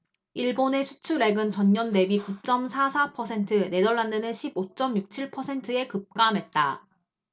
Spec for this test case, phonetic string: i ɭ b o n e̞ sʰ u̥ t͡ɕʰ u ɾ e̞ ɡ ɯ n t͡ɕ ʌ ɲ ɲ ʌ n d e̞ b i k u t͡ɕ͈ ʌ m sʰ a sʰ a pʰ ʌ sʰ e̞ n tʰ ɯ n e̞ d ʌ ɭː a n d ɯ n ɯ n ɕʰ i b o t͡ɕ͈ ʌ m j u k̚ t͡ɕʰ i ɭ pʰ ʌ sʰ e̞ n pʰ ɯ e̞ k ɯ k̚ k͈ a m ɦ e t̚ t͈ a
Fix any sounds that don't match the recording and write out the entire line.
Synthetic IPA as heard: i ɭ b o n e̞ sʰ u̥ t͡ɕʰ u ɾ e̞ ɡ ɯ n t͡ɕ ʌ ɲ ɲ ʌ n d e̞ b i k u t͡ɕ͈ ʌ m sʰ a sʰ a pʰ ʌ sʰ e̞ n tʰ ɯ n e̞ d ʌ ɭː a n d ɯ n ɯ n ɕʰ i b o t͡ɕ͈ ʌ m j u k̚ t͡ɕʰ i ɭ pʰ ʌ sʰ e̞ n tʰ ɯ e̞ k ɯ p̚ k͈ a m ɦ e t̚ t͈ a